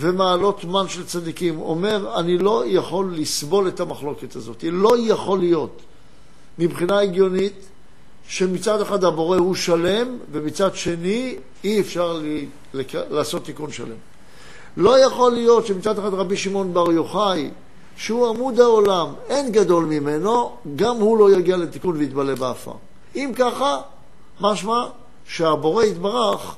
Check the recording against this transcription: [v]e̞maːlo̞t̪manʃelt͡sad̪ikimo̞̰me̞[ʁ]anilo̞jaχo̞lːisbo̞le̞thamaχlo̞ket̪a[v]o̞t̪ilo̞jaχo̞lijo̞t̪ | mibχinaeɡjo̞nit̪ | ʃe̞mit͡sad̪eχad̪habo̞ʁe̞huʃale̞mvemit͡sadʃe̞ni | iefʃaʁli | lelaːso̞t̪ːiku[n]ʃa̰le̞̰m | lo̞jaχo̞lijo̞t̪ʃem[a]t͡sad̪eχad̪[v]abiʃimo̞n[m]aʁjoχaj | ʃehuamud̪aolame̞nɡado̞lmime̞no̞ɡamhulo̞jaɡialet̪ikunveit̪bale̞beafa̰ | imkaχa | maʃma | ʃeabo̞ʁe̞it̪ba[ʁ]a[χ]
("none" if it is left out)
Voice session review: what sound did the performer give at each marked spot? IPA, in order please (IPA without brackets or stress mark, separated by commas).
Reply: v, ʁ, z, n, i, ʁ, b, ʁ, χ